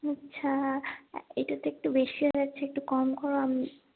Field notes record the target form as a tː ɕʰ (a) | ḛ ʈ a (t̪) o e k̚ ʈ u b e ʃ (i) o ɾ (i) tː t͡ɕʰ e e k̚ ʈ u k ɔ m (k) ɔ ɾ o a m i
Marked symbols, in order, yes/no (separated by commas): yes, yes, yes, no, yes